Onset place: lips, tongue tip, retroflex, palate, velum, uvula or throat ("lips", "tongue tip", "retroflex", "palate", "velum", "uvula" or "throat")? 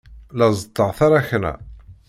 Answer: tongue tip